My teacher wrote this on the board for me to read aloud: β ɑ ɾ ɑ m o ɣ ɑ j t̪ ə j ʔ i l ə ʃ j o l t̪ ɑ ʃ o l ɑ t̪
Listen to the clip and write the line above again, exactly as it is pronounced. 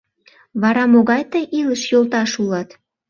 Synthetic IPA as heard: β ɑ ɾ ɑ m o ɣ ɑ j t̪ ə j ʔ i l ə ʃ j o l t̪ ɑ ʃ u l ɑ t̪